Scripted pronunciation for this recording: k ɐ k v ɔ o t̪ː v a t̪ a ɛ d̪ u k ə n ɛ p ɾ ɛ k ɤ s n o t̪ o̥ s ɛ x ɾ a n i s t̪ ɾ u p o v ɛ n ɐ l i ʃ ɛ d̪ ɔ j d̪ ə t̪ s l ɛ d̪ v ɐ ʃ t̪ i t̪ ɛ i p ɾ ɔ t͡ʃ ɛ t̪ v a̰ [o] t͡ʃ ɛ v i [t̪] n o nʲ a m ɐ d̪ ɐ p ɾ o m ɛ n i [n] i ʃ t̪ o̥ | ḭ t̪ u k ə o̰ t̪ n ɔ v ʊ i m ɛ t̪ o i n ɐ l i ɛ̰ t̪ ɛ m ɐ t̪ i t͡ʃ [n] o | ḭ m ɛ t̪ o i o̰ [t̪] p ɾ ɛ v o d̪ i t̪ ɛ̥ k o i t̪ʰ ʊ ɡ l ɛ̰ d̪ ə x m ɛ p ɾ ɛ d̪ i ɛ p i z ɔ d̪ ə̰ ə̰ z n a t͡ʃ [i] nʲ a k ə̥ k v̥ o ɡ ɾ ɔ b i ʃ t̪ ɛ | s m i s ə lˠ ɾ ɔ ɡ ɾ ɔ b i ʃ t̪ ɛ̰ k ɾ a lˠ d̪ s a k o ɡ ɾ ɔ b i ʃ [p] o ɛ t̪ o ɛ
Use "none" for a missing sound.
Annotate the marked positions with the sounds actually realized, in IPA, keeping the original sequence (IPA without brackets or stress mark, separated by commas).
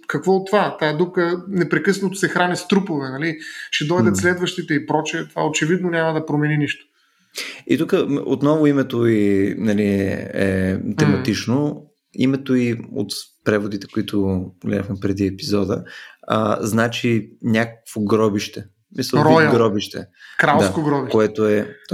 o, d̪, n, n, t̪, i, k